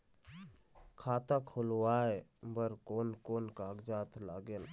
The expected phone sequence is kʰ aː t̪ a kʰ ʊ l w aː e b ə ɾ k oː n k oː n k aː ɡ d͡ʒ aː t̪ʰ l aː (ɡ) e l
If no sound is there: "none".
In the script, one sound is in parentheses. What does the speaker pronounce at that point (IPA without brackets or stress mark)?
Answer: ɡ